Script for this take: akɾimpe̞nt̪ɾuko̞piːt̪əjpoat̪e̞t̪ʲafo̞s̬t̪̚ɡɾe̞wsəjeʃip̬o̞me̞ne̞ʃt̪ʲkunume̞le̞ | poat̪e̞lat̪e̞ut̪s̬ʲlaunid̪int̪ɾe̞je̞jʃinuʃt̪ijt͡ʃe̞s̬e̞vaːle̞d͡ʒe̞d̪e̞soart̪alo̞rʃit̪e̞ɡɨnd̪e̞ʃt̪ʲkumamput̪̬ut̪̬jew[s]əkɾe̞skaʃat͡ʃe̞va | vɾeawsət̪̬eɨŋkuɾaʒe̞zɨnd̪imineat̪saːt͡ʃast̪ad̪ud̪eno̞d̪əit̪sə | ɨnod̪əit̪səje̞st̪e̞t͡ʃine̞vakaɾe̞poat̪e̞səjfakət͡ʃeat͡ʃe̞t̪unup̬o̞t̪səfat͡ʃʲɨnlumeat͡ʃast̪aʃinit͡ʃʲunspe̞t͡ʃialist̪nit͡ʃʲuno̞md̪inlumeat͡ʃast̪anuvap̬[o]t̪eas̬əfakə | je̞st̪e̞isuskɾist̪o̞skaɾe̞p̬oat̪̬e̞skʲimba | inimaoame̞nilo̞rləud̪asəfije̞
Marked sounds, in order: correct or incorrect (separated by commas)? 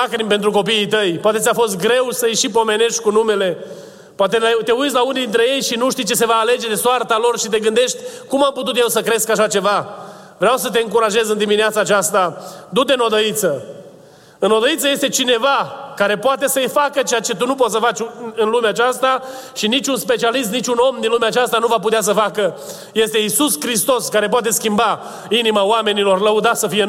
correct, incorrect